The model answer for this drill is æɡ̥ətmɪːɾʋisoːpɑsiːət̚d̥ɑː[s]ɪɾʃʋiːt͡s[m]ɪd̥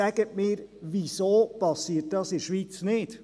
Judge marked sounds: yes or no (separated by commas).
yes, no